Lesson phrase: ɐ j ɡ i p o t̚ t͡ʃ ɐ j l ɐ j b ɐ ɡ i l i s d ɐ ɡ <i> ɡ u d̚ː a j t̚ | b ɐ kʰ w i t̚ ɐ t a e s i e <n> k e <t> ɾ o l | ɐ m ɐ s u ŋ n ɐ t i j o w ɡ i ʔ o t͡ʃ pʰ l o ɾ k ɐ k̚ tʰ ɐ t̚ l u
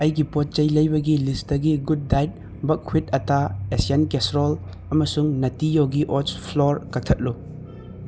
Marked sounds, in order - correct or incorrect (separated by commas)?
correct, correct, incorrect